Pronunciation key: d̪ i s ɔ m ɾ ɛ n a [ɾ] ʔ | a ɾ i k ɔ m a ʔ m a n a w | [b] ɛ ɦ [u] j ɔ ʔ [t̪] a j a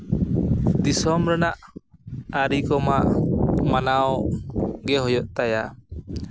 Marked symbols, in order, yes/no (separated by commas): no, no, no, yes